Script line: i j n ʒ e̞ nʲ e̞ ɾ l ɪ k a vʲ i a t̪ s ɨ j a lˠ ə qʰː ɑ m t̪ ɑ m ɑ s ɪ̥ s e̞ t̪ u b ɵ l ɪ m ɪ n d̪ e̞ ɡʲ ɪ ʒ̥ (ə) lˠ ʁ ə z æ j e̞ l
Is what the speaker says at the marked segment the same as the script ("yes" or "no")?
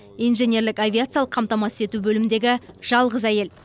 no